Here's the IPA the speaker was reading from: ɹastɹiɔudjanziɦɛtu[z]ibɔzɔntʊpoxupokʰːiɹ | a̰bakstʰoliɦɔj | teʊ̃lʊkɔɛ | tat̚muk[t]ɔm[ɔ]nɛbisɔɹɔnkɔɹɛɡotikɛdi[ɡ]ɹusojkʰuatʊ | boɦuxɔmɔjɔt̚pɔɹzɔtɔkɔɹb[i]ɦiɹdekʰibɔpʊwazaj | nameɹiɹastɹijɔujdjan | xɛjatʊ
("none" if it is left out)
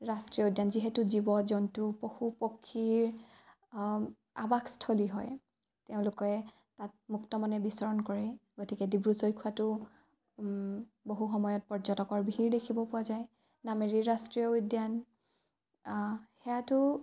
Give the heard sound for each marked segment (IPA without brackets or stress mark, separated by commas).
z, t, ɔ, b, i